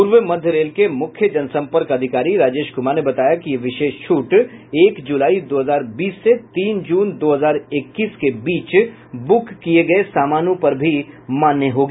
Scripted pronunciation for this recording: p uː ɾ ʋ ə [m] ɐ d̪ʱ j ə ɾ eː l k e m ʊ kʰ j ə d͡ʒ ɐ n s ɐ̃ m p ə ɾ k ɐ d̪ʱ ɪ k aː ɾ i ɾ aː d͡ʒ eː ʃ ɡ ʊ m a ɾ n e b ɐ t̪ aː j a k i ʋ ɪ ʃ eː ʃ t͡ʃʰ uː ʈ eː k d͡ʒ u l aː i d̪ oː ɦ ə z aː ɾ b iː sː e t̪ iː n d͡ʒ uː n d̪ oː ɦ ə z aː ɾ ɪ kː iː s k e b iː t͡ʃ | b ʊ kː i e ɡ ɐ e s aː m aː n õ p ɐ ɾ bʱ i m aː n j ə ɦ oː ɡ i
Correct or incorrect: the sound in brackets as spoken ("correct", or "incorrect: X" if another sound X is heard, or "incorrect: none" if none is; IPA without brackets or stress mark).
correct